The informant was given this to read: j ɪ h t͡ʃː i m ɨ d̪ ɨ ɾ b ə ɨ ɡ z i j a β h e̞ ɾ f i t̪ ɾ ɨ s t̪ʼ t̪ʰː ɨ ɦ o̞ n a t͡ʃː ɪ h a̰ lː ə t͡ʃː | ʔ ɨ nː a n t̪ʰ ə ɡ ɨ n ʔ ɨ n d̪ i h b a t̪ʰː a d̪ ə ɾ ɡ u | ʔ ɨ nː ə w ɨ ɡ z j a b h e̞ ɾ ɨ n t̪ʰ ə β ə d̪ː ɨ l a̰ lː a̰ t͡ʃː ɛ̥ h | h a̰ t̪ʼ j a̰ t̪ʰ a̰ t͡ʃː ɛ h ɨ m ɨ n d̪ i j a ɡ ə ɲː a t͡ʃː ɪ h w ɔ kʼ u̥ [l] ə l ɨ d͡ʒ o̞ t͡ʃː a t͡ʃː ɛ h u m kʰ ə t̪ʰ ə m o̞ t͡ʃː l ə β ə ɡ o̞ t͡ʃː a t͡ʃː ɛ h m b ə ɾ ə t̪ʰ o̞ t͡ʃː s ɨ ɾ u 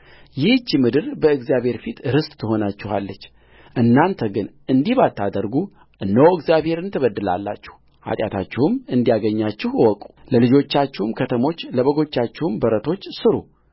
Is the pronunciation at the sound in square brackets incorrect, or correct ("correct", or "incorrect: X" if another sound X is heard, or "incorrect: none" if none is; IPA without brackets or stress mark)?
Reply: correct